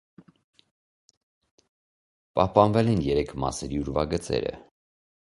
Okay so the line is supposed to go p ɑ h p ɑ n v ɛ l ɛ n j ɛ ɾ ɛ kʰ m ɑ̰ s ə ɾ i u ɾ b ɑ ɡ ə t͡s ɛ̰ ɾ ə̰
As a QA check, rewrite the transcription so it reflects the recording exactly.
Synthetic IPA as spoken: p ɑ h p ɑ n v ɛ l ɛ n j ɛ ɾ ɛ kʰ m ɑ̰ s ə ɾ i u ɾ v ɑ ɡ ə t͡s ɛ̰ ɾ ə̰